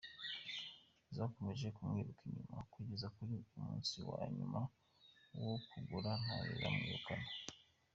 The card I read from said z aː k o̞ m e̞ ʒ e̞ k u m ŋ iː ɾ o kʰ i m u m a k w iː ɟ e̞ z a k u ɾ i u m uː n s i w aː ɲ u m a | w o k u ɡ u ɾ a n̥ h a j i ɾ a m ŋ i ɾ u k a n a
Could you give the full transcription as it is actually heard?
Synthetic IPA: z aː k o̞ m e̞ ʒ e̞ k u m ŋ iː ɾ u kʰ i ɲ u m a k w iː ɟ e̞ z a k u ɾ i u m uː n s i w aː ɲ u m a | w o k u ɡ u ɾ a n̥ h a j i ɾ a m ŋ i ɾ u k a n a